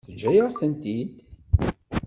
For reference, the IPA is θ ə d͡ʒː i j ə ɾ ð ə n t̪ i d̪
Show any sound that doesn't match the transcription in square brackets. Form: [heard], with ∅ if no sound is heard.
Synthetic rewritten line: θ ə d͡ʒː [æ] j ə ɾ [θ] ə n t̪ i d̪